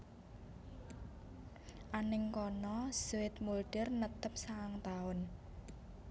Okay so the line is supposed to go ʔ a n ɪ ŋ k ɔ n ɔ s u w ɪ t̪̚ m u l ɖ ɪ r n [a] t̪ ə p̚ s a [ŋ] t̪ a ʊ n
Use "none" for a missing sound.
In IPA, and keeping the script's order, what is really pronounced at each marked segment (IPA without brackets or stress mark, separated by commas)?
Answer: ə, ŋ